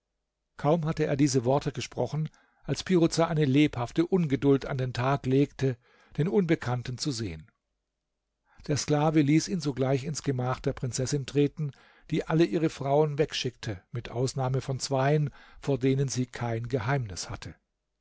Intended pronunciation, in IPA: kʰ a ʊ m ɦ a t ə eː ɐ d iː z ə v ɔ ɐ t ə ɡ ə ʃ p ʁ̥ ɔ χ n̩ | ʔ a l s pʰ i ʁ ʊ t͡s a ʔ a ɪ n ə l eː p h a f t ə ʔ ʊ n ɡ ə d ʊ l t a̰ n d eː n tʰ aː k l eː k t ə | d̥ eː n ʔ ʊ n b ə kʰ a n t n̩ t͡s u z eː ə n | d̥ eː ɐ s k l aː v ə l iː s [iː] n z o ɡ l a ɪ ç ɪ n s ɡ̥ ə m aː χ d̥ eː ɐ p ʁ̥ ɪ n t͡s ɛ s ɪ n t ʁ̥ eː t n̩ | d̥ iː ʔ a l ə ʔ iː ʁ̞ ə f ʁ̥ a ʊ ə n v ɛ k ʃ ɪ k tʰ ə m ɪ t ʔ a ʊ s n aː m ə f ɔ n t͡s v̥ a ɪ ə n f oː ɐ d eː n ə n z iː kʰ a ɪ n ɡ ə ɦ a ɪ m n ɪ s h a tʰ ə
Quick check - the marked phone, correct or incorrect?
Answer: correct